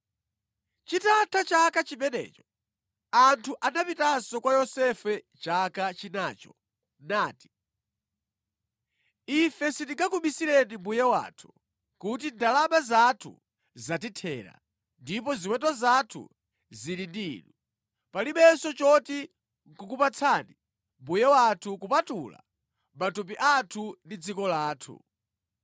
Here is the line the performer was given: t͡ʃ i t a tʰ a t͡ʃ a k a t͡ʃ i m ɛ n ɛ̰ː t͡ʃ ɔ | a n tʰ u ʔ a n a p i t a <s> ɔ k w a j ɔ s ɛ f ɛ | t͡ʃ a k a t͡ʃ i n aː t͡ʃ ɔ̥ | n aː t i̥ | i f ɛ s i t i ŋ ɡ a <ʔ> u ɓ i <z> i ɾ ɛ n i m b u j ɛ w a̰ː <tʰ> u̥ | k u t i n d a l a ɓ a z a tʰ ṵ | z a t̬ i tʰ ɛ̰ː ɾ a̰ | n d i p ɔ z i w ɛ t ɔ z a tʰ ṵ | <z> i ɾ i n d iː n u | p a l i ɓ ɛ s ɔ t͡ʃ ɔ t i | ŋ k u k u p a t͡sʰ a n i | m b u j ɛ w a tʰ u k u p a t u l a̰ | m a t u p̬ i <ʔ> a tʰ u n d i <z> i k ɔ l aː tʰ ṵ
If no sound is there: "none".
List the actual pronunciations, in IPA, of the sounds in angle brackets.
s, k, s, tʰ, z, ʔ, d͡z

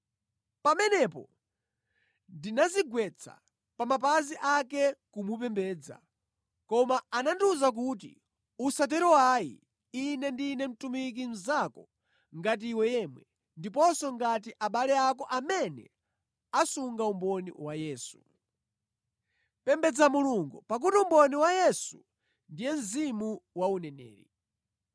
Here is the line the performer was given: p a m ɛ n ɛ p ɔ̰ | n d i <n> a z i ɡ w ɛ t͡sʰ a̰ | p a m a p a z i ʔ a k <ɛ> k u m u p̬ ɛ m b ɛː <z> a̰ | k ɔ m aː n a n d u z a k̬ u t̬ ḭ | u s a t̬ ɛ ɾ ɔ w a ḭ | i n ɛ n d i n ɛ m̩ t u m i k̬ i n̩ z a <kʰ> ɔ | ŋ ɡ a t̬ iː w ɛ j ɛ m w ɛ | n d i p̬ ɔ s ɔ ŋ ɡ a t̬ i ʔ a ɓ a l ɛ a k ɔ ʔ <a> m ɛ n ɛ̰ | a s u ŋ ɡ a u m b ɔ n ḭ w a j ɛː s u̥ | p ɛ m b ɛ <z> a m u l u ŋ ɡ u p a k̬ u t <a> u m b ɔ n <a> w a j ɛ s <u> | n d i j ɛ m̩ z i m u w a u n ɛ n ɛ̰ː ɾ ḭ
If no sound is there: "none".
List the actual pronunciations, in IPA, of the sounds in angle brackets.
n, ɛ, d͡z, k, a, d͡z, i, i, u

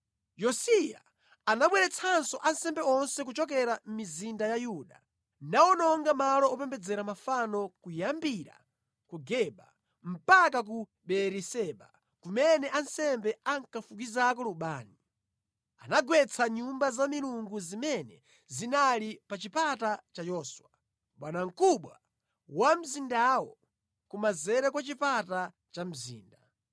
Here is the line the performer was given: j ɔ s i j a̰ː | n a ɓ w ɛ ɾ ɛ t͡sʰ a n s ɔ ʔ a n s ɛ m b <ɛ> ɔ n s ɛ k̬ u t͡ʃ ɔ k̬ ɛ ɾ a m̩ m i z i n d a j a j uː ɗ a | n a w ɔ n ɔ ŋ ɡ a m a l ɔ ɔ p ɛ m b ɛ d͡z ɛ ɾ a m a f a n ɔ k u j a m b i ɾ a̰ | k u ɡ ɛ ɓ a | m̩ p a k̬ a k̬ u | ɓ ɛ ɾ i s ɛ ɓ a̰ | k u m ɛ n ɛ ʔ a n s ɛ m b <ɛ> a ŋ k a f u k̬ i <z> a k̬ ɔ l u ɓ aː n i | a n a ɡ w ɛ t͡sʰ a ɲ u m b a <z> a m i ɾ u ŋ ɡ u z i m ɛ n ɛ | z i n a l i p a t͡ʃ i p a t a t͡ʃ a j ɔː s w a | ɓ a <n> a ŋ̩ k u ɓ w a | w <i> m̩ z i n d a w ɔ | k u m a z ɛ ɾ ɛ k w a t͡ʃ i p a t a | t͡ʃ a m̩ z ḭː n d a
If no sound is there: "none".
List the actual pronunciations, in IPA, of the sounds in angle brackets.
ɛ, ɛ, z, z, n, a

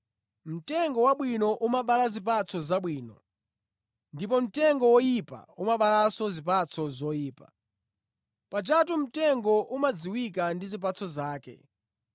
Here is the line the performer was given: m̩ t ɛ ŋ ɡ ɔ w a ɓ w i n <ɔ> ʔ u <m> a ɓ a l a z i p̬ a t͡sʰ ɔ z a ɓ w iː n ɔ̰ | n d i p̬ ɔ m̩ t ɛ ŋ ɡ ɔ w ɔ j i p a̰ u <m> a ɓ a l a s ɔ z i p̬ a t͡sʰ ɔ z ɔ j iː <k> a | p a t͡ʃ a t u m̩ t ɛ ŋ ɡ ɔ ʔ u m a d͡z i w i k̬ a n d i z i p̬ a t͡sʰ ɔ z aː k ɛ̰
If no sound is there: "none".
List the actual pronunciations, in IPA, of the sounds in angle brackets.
ɔ, m, m, p

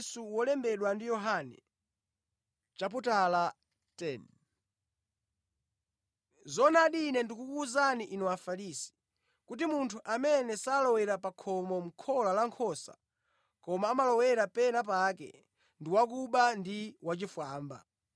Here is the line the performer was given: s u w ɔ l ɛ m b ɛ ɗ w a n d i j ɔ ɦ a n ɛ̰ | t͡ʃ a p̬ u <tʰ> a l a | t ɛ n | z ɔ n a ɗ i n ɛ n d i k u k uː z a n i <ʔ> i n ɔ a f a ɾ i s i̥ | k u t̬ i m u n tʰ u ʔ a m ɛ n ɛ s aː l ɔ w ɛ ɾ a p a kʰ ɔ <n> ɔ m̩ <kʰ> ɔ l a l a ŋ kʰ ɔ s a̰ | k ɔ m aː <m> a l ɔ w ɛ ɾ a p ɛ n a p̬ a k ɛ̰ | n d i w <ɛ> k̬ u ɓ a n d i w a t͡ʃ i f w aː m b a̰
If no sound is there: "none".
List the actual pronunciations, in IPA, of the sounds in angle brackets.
t, ʔ, m, kʰ, m, a

